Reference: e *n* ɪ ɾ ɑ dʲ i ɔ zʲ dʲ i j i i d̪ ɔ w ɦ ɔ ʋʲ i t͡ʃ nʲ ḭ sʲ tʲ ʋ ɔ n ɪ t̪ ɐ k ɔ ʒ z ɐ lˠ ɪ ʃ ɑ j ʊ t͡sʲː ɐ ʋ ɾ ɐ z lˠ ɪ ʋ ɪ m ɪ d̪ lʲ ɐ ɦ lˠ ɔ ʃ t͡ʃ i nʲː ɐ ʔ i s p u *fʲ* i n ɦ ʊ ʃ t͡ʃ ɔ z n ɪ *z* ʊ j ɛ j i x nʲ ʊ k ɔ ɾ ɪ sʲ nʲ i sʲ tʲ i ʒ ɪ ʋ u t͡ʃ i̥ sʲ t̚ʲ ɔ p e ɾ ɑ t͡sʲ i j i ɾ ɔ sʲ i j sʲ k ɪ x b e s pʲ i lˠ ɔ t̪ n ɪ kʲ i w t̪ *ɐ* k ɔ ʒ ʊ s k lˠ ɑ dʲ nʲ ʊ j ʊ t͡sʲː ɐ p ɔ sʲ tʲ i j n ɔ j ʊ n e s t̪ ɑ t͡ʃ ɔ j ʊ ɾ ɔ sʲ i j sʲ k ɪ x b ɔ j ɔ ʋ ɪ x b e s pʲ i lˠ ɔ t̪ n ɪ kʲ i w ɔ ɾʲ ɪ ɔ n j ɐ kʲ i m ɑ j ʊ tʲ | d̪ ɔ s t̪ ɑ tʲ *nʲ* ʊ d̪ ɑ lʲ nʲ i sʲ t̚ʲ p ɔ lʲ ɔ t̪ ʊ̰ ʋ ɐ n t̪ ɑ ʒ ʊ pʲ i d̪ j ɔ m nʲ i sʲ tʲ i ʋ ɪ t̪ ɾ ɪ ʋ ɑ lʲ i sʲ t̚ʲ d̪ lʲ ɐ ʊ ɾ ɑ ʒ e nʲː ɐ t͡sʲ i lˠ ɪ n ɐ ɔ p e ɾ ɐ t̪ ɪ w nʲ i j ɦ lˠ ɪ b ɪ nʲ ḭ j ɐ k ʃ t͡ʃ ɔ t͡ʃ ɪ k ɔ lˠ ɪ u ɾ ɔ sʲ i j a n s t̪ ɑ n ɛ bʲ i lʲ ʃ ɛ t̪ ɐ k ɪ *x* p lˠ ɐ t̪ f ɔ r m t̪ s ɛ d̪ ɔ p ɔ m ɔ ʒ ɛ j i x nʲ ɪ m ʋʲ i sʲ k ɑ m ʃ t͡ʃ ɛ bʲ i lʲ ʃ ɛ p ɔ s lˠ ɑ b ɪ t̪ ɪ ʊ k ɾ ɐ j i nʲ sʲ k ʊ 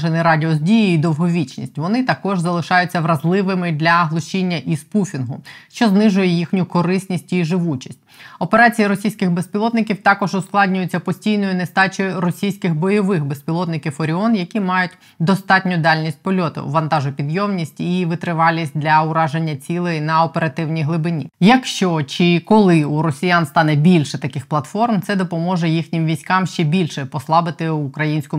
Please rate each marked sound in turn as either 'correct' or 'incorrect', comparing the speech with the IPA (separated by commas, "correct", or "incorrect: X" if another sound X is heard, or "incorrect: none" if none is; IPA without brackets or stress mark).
correct, correct, incorrect: ʒ, incorrect: ɑ, correct, correct